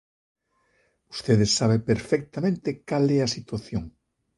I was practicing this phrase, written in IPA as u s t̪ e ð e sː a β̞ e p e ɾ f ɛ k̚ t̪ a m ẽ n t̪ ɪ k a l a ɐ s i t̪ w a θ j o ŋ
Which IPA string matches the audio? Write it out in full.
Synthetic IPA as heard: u s t̪ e ð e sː a β̞ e p e ɾ f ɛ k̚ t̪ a m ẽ n t̪ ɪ k a l ɛ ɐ s i t̪ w a θ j o ŋ